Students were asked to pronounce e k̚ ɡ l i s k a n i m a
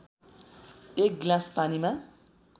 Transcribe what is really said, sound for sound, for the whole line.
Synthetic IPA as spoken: e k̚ ɡ l a s p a n i m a